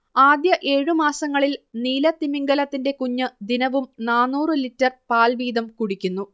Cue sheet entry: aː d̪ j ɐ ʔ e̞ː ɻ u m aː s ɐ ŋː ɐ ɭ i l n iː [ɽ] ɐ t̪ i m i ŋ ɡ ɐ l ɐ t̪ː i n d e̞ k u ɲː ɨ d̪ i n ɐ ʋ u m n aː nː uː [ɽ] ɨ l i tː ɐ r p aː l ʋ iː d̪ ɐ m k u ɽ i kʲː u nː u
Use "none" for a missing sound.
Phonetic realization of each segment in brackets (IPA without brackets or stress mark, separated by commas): l, r